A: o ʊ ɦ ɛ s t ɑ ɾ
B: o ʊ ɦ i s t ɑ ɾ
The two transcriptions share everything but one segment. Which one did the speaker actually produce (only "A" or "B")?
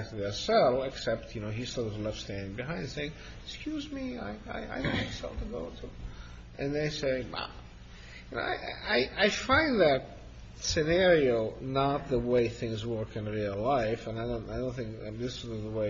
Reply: B